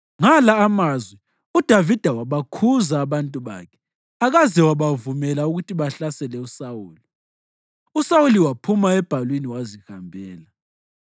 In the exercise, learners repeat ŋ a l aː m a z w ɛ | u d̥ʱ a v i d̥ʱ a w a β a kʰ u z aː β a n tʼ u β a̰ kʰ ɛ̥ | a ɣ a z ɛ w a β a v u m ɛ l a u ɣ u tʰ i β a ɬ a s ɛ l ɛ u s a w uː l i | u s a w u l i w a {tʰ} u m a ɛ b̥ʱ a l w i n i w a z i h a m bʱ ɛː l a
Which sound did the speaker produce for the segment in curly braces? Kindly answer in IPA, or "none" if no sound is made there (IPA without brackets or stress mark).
pʰ